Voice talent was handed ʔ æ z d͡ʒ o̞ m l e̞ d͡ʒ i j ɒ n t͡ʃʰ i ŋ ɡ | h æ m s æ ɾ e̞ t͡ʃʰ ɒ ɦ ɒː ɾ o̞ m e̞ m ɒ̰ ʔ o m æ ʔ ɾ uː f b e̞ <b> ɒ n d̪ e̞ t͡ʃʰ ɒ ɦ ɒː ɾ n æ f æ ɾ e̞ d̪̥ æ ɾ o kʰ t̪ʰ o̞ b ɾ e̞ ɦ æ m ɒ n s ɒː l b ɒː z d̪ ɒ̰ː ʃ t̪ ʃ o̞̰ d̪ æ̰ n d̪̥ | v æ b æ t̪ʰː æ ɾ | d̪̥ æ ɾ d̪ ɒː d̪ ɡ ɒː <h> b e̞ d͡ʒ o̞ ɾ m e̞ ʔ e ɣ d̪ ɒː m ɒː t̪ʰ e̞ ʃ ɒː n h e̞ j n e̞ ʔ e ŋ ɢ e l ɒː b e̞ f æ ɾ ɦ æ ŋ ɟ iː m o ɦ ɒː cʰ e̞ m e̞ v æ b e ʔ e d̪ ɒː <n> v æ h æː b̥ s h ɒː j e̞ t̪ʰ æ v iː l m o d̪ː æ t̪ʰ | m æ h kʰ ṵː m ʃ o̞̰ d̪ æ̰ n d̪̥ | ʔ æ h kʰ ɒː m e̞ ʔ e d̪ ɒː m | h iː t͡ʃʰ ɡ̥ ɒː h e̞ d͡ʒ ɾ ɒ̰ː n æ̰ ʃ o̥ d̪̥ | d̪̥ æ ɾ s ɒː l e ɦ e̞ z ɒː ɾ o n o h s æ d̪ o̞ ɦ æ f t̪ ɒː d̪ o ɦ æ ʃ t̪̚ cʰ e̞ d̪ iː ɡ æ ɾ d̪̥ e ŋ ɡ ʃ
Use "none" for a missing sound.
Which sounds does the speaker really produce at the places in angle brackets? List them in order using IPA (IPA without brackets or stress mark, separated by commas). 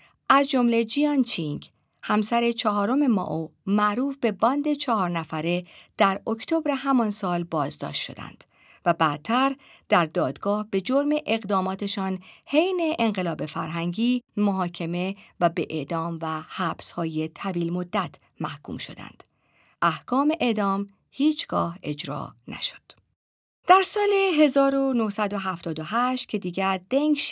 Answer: b, h, m